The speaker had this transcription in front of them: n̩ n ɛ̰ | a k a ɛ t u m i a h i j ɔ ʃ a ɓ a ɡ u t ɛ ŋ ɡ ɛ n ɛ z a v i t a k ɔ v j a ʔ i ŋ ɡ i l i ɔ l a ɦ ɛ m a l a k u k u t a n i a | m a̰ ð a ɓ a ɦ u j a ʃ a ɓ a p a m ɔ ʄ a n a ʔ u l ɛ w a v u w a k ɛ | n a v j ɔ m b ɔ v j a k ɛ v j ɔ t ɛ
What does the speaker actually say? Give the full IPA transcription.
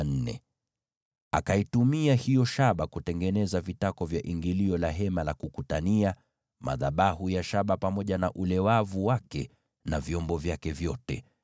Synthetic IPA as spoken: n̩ n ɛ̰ | a k a i t u m i a h i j ɔ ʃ a ɓ a k u t ɛ ŋ ɡ ɛ n ɛ z a v i t a k ɔ v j a ʔ i ŋ ɡ i l i ɔ l a ɦ ɛ m a l a k u k u t a n i a | m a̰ ð a ɓ a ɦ u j a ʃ a ɓ a p a m ɔ ʄ a n a ʔ u l ɛ w a v u w a k ɛ | n a v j ɔ m b ɔ v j a k ɛ v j ɔ t ɛ